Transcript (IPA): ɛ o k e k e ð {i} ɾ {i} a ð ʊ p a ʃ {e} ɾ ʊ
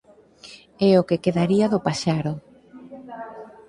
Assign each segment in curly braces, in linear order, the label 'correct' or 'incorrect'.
incorrect, correct, incorrect

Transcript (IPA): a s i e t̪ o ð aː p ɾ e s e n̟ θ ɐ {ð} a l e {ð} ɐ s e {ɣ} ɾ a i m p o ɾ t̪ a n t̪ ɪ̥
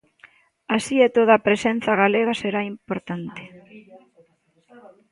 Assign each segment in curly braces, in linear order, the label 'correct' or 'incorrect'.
incorrect, incorrect, incorrect

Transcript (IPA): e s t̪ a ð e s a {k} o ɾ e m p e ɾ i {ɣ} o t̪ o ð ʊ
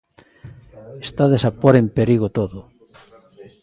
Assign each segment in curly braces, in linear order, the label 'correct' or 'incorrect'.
incorrect, correct

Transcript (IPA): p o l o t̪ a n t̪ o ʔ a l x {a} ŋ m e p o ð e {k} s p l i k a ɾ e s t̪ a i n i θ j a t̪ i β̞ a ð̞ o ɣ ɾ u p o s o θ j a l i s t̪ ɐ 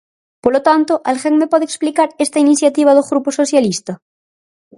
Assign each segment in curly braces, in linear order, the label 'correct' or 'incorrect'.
incorrect, correct

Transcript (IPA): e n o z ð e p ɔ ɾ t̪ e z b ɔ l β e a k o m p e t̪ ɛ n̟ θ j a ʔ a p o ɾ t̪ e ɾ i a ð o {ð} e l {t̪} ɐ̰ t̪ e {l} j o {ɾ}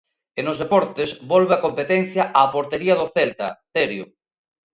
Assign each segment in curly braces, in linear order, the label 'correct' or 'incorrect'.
incorrect, correct, incorrect, incorrect

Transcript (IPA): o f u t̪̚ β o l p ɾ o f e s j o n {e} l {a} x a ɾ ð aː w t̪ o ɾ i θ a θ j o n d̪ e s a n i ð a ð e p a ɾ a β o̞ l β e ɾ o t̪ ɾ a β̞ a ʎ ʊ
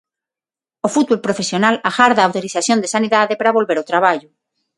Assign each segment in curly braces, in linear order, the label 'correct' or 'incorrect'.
incorrect, correct

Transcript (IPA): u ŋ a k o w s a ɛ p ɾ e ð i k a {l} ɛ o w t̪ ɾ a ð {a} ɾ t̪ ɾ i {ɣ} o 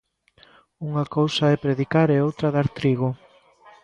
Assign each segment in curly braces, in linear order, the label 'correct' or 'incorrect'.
incorrect, correct, correct

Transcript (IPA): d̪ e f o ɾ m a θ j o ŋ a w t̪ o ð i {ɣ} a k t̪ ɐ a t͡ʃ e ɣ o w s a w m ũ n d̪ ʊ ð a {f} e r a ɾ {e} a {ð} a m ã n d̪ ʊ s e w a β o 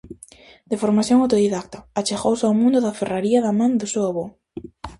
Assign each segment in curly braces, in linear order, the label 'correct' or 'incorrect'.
incorrect, correct, incorrect, correct

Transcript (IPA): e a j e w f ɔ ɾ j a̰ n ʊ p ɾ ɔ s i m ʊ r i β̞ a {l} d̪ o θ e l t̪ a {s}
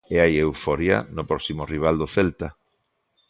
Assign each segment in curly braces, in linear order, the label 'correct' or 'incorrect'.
correct, incorrect

